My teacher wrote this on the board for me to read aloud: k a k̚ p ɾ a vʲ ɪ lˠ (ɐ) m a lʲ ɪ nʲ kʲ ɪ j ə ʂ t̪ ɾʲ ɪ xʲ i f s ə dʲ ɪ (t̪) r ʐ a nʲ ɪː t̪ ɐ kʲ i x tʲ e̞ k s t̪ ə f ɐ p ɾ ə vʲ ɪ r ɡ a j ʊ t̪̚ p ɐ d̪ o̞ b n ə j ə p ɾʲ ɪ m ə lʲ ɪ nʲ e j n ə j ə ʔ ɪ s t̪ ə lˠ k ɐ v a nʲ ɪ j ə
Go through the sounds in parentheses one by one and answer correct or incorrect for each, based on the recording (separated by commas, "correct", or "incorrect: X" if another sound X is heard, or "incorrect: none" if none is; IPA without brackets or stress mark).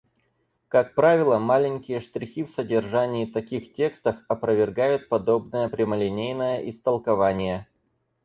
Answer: incorrect: ə, incorrect: none